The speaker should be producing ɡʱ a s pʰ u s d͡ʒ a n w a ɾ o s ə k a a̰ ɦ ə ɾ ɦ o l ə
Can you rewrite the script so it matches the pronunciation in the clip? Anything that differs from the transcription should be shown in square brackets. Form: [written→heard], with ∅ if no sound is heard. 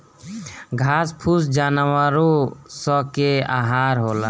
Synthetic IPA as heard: ɡʱ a s pʰ u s d͡ʒ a n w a ɾ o s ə k [a→e] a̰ ɦ [ə→a] ɾ ɦ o l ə